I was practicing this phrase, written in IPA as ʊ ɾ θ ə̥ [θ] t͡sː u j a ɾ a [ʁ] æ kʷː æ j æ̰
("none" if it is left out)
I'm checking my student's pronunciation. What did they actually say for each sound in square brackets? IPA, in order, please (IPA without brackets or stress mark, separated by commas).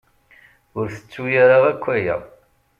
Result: none, ʁ